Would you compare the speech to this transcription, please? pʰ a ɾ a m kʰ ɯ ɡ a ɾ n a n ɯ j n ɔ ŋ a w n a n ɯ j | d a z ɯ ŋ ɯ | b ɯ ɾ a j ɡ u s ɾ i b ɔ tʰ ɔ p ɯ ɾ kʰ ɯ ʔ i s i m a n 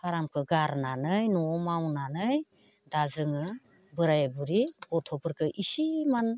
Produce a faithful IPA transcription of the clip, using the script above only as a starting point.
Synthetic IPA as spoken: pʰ a ɾ a m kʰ ɯ ɡ a ɾ n a n ɯ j n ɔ m a w n a n ɯ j | d a z ɯ ŋ ɯ | b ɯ ɾ a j b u ɾ i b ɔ tʰ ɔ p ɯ ɾ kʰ ɯ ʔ i s i m a n